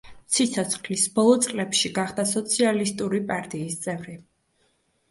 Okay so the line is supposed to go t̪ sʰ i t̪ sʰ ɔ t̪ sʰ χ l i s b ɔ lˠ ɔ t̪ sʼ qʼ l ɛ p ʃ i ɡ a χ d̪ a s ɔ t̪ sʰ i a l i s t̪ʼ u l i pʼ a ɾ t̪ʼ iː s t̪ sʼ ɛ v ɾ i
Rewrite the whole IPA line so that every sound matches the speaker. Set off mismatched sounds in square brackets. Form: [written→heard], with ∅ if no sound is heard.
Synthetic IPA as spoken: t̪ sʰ i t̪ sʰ ɔ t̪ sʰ χ l i s b ɔ lˠ ɔ t̪ sʼ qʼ l ɛ p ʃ i ɡ a χ d̪ a s ɔ t̪ sʰ i a l i s t̪ʼ u [l→ɾ] i pʼ a ɾ t̪ʼ iː s t̪ sʼ ɛ v ɾ i